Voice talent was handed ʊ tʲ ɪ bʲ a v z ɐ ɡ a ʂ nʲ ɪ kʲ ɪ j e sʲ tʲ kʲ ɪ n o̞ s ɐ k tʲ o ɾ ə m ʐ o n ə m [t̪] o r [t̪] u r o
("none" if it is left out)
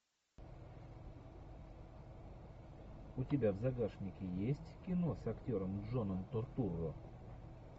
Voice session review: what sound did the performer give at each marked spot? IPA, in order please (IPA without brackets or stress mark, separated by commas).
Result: t̪, t̪